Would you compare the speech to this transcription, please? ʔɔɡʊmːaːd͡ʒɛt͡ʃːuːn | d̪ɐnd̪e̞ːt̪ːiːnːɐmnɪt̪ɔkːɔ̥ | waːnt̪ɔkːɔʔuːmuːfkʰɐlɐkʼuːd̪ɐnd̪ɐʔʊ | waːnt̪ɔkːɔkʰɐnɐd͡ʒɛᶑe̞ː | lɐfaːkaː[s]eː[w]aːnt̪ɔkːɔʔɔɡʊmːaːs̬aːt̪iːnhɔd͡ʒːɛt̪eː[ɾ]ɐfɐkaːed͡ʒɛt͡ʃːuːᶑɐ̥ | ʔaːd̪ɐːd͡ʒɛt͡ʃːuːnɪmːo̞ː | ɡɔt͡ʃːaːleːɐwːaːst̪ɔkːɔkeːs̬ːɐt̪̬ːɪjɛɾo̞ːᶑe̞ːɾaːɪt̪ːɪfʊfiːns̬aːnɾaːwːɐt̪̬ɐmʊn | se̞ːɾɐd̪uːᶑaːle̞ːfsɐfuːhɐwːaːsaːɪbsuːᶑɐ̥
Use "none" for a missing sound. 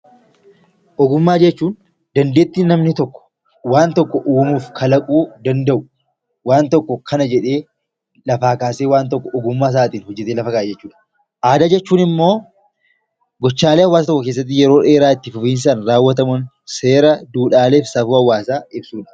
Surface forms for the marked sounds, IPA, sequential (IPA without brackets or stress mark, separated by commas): s, w, l